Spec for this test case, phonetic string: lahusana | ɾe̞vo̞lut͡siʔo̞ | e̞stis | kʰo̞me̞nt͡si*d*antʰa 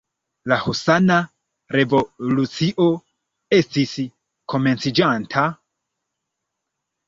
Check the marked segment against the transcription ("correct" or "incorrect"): incorrect